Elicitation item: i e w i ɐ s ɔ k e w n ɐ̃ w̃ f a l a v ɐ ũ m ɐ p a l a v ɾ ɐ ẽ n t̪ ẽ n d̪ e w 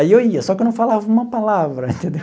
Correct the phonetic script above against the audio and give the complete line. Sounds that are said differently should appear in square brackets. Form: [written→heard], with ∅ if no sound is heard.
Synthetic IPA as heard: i e w i ɐ s ɔ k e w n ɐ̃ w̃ f a l a v ɐ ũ m ɐ p a l a v ɾ ɐ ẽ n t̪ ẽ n d̪ e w